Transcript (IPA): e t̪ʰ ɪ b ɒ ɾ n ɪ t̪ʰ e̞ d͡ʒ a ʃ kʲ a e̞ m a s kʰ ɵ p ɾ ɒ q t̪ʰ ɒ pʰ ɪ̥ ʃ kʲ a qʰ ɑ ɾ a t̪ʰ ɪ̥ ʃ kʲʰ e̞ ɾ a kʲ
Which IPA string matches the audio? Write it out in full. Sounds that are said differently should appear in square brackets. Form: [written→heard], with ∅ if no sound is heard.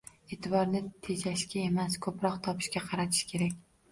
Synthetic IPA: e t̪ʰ ɪ b ɒ ɾ n ɪ t̪ʰ e̞ d͡ʒ a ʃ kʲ a e̞ m a s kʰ ɵ p ɾ ɒ q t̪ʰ ɒ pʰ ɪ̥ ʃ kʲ a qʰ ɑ ɾ a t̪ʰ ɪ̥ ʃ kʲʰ e̞ ɾ a kʲ